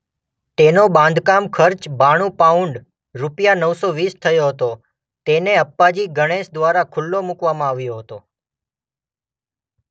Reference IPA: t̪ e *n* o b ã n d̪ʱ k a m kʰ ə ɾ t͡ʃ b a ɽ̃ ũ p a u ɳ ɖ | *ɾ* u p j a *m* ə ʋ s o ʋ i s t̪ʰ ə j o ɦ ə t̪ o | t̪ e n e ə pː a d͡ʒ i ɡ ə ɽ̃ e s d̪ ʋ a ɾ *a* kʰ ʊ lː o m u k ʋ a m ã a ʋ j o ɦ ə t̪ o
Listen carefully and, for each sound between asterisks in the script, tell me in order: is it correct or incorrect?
correct, correct, incorrect: n, correct

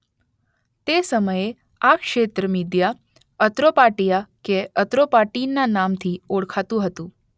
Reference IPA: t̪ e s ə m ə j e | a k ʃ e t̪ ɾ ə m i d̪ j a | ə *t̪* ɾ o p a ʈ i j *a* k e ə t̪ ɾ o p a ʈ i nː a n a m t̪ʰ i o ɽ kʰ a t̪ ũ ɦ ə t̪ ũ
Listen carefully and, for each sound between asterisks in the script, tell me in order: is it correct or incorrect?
correct, correct

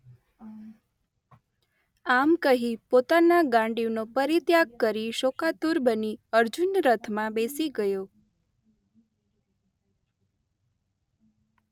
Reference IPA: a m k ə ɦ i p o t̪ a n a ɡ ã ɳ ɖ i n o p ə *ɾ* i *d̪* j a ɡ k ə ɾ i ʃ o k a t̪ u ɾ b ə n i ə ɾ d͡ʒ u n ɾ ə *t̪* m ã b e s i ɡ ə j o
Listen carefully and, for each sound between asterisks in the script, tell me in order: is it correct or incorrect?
correct, incorrect: t̪, incorrect: t̪ʰ

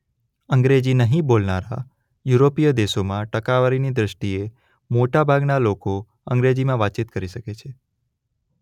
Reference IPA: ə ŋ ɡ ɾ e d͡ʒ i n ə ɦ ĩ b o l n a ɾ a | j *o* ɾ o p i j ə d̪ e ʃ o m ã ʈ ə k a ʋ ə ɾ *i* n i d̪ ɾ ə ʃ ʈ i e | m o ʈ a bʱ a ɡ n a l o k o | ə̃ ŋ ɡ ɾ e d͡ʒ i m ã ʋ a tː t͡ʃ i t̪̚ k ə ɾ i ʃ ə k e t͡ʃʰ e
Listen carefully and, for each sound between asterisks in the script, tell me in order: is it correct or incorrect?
incorrect: u, correct

